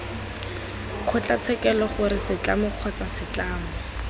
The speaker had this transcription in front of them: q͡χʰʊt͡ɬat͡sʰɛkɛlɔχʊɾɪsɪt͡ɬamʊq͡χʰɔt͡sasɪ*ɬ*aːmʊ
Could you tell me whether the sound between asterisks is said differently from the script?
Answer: yes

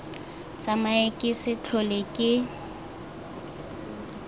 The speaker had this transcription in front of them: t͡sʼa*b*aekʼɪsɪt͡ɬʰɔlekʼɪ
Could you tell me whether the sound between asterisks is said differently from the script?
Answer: yes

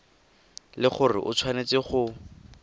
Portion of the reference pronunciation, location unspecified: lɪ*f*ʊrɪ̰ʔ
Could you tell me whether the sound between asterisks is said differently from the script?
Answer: yes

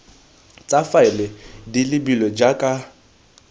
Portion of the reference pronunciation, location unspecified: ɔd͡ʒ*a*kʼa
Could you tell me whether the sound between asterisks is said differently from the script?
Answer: no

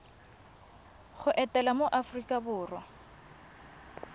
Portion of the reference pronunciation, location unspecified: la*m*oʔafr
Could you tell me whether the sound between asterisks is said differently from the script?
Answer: no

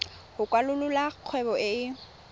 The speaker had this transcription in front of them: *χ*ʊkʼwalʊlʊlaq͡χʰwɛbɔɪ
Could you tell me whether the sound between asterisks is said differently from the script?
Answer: yes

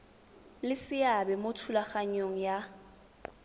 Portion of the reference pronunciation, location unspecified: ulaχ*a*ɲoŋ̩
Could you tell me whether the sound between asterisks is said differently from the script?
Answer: no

